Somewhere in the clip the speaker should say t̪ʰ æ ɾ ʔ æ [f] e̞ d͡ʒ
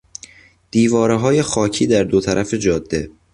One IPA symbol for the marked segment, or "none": f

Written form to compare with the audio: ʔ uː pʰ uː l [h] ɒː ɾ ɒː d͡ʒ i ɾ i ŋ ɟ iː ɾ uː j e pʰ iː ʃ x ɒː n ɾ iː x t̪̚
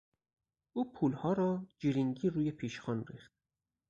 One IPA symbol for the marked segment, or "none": h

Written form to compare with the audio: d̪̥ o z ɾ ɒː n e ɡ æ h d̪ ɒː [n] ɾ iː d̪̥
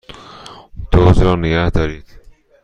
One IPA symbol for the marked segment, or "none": none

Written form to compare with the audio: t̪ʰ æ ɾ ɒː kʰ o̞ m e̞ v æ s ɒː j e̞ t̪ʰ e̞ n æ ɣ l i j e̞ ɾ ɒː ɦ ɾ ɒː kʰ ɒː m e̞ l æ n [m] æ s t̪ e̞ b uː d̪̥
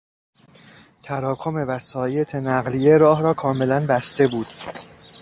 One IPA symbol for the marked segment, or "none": b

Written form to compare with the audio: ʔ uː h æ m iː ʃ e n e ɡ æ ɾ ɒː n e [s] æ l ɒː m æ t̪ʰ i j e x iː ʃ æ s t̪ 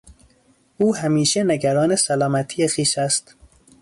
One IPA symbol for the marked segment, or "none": s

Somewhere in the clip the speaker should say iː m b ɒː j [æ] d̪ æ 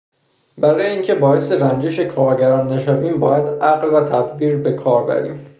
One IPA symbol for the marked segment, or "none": æ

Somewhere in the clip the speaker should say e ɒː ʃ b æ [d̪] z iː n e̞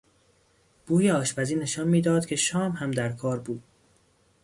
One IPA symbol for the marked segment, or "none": none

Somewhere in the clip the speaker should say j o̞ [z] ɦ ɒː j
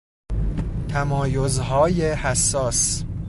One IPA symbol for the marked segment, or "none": z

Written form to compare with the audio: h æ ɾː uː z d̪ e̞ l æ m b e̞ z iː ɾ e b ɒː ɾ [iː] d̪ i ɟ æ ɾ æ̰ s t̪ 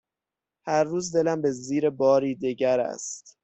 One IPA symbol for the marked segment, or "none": iː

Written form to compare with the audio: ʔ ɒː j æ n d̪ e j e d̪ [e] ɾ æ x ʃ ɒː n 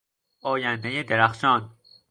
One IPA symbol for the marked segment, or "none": e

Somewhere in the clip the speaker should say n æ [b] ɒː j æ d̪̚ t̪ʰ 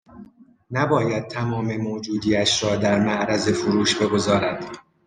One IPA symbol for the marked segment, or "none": b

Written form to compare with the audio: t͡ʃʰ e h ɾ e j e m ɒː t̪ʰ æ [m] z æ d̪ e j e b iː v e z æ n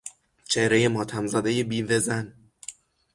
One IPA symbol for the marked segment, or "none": m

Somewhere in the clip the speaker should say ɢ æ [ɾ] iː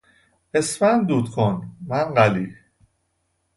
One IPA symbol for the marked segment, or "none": l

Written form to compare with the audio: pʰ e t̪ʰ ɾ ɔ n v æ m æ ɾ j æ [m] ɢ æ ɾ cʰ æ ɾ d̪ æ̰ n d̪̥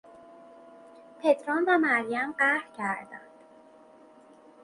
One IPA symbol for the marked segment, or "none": m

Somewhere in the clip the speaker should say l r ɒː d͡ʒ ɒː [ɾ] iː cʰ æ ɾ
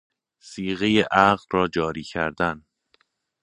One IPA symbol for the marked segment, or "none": ɾ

